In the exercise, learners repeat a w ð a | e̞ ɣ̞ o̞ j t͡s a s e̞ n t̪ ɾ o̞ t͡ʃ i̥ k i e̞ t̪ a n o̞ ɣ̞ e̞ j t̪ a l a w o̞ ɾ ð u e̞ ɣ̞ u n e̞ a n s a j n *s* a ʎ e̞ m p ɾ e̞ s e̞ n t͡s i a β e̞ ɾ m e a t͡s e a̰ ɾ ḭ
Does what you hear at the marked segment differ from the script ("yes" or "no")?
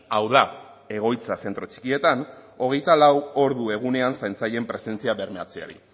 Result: yes